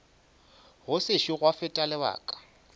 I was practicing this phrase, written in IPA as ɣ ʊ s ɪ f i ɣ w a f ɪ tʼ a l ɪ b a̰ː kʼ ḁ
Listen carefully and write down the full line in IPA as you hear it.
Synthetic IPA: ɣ ʊ s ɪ ʃ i ɣ w a f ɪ tʼ a l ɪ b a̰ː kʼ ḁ